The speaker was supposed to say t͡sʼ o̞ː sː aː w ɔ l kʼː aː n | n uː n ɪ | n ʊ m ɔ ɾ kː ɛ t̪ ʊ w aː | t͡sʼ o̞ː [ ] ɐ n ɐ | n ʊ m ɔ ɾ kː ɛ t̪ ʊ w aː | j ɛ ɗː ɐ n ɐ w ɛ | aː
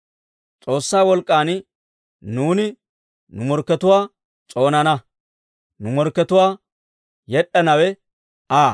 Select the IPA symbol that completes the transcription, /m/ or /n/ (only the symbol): n